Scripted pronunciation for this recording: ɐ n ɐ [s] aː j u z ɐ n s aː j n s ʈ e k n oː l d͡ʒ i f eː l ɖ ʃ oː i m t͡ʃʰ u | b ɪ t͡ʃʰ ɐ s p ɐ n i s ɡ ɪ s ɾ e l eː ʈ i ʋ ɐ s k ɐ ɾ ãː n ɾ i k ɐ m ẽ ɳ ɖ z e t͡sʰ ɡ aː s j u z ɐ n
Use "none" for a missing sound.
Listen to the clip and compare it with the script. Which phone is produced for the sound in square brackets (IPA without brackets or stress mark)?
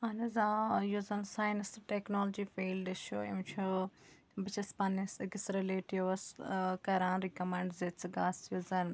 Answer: z